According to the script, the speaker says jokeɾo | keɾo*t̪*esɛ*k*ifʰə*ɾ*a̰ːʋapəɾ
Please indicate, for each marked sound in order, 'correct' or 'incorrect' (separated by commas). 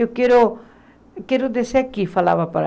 incorrect, correct, incorrect